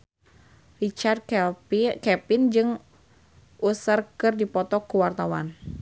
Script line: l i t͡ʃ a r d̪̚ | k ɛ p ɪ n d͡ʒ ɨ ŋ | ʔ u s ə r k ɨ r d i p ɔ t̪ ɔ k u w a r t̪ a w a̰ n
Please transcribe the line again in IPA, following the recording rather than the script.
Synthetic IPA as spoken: r i t͡ʃ a r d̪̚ | k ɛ p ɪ n d͡ʒ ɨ ŋ | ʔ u s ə r k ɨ r d i p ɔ t̪ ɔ k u w a r t̪ a w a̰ n